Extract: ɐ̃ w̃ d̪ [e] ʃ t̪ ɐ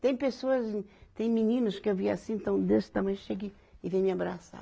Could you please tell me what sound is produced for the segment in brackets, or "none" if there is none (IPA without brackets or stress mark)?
e